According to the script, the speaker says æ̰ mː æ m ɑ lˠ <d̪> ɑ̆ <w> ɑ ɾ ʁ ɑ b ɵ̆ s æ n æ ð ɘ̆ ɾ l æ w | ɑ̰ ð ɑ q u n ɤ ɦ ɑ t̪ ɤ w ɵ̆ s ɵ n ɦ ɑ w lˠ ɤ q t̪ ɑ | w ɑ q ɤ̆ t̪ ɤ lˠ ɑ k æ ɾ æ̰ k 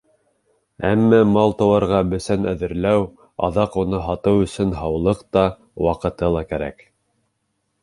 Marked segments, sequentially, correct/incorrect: incorrect: t̪, correct

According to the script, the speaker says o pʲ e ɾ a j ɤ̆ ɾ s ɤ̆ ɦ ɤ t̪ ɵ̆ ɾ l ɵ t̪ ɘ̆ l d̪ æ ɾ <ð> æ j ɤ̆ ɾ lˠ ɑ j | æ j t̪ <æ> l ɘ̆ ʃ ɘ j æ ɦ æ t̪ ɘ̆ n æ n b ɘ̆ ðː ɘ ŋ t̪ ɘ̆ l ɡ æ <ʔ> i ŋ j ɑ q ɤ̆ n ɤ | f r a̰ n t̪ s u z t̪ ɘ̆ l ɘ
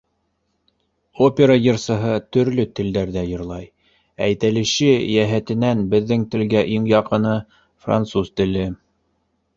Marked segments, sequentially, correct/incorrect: correct, correct, correct

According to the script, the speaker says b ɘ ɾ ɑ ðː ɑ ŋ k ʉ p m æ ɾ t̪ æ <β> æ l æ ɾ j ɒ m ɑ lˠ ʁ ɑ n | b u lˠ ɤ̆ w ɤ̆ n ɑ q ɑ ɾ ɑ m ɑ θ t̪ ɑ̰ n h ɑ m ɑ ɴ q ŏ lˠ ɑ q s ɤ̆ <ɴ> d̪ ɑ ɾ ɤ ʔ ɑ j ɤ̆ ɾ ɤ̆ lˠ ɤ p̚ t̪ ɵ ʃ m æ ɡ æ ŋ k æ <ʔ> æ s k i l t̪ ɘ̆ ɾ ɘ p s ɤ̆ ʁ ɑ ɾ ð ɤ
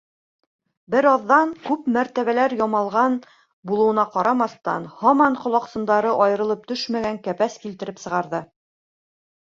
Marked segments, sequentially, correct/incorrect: correct, incorrect: n, incorrect: p

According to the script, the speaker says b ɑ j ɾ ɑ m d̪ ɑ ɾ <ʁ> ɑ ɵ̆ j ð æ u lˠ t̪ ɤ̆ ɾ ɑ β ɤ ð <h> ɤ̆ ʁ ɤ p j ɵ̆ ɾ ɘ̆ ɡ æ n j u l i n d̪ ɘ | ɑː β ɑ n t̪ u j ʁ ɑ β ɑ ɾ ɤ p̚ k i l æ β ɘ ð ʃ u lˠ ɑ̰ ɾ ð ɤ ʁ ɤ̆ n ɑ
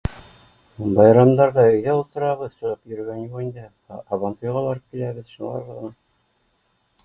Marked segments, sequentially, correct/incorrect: incorrect: ð, incorrect: s

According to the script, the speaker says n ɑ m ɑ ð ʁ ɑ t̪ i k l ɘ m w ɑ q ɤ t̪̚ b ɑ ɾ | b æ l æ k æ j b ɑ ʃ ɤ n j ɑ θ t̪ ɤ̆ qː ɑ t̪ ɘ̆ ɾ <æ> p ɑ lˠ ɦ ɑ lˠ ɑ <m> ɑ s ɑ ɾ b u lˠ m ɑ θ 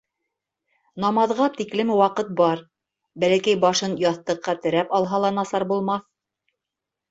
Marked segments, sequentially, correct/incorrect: correct, incorrect: n

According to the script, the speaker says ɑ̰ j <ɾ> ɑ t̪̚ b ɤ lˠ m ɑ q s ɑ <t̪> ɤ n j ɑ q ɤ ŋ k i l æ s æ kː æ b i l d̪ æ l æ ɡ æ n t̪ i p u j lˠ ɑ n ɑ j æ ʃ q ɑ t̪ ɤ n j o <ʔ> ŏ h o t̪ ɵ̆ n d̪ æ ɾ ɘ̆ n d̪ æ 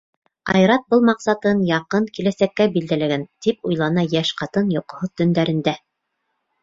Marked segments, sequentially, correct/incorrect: correct, correct, incorrect: q

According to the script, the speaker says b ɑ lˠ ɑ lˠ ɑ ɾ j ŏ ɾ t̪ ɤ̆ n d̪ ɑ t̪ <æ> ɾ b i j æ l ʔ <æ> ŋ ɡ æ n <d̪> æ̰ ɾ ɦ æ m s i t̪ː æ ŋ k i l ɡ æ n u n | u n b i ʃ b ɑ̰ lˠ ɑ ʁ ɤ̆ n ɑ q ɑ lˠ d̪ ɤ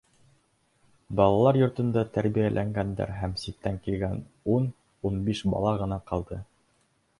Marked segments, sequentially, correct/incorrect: correct, correct, correct

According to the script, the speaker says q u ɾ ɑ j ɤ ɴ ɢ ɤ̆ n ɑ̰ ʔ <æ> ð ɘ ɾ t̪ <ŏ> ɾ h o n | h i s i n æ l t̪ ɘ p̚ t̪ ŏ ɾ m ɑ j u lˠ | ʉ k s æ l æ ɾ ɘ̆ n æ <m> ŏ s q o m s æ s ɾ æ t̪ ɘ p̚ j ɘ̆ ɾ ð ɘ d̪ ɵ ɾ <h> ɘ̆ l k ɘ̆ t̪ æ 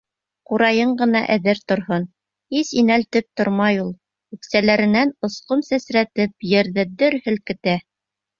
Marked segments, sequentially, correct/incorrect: correct, correct, incorrect: n, correct

